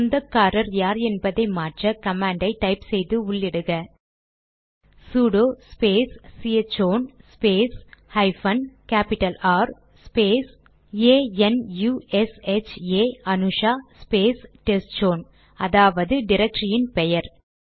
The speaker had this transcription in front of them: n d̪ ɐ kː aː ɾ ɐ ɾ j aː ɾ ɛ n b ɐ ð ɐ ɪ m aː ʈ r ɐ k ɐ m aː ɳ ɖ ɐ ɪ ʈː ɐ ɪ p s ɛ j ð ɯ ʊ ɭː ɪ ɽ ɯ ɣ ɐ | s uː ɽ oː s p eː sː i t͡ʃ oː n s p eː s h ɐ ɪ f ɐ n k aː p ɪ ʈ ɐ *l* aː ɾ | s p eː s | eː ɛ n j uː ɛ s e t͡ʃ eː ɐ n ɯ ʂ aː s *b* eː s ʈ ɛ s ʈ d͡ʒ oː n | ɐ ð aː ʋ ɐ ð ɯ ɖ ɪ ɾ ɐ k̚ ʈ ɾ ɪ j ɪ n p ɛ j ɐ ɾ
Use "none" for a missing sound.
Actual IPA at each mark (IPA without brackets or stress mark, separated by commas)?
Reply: l, p